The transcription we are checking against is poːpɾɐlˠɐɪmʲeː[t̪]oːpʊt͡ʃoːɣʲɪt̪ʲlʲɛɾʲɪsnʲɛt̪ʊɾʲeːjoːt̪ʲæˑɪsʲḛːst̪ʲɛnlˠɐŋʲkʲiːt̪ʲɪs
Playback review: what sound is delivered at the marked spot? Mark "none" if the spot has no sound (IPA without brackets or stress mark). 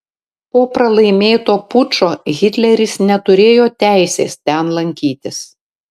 t̪